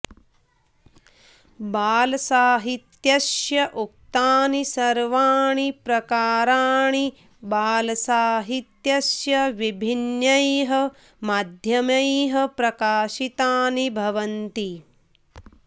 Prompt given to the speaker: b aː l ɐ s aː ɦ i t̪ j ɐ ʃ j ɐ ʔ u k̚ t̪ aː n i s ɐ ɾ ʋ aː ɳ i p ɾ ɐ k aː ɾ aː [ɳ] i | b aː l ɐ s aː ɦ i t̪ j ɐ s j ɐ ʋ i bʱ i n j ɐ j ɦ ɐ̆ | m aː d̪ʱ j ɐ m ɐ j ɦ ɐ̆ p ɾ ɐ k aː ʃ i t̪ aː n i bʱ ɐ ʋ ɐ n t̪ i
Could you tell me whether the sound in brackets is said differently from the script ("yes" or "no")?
no